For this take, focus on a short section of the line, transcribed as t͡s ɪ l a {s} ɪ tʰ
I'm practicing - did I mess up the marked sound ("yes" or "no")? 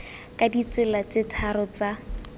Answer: yes